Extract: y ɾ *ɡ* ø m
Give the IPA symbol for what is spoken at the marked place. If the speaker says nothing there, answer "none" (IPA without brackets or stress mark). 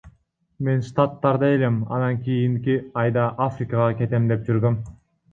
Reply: ɡ